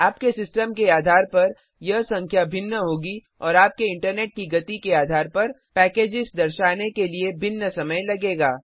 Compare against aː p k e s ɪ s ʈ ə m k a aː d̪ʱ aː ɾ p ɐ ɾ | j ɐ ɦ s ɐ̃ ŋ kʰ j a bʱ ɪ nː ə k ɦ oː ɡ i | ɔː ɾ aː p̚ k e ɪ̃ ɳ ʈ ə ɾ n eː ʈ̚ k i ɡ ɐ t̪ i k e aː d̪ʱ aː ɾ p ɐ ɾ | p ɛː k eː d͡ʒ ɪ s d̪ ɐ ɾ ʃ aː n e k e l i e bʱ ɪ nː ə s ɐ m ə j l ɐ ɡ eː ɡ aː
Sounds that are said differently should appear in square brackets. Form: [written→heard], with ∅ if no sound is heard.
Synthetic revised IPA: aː p k e s ɪ s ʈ ə m k [a→e] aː d̪ʱ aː ɾ p ɐ ɾ | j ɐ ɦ s ɐ̃ ŋ kʰ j a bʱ ɪ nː ə [k→∅] ɦ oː ɡ i | ɔː ɾ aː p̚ k e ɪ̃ ɳ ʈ ə ɾ n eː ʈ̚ k i ɡ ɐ t̪ i k e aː d̪ʱ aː ɾ p ɐ ɾ | p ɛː k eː d͡ʒ ɪ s d̪ ɐ ɾ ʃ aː n e k e l i e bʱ ɪ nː ə s ɐ m ə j l ɐ ɡ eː ɡ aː